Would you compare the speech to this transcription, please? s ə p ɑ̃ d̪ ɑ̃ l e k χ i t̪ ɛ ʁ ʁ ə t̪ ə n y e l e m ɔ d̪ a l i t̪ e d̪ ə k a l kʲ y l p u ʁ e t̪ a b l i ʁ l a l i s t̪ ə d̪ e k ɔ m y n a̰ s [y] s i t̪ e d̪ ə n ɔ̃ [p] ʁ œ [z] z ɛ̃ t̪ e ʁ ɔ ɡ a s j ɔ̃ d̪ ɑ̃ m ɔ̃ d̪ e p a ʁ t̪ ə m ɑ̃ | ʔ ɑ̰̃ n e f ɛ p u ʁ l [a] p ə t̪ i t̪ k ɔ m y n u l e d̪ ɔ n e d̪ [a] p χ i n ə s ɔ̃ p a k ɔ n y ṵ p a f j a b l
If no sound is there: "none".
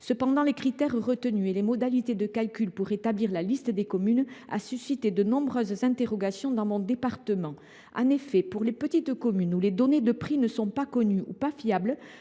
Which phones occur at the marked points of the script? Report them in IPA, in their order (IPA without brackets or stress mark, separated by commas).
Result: y, b, z, e, ə